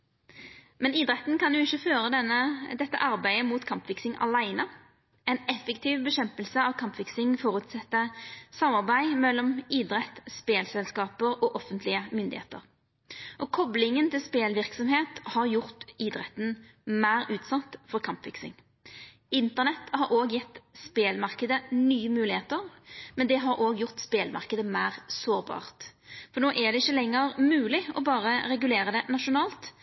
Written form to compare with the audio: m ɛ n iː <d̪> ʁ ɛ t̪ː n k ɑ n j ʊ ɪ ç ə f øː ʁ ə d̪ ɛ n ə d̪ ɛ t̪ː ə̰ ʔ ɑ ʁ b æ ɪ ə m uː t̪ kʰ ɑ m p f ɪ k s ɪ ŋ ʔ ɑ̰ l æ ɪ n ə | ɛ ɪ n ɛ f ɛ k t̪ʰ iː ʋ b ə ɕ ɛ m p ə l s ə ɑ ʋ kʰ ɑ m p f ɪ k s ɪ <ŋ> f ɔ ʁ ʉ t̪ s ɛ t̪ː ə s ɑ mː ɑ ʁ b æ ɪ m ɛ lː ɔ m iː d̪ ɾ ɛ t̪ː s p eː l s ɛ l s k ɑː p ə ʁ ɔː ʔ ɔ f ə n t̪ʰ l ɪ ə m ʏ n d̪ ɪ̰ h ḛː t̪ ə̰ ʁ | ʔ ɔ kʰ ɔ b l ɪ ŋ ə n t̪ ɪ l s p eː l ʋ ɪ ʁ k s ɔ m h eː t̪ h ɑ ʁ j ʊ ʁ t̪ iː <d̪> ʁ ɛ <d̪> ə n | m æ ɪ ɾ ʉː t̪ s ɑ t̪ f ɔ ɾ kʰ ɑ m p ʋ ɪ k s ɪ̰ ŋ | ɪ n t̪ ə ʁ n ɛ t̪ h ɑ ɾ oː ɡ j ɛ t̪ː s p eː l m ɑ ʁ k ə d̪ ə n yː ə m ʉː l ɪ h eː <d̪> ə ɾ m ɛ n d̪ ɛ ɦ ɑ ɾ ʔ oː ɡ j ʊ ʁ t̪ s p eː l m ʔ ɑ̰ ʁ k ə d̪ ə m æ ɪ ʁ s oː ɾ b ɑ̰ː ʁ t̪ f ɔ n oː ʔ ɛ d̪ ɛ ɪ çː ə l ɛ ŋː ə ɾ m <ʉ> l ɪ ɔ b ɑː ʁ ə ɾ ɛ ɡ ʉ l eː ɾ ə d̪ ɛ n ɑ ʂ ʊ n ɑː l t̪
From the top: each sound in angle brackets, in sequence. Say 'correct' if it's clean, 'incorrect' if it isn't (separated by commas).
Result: correct, correct, correct, incorrect, incorrect, incorrect